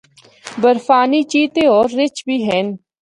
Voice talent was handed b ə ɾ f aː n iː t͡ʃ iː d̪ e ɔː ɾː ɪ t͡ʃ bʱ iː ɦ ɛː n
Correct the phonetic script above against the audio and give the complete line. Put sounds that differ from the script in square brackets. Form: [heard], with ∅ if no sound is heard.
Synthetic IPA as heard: b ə ɾ f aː n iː t͡ʃ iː [t̪] e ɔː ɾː ɪ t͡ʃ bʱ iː ɦ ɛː n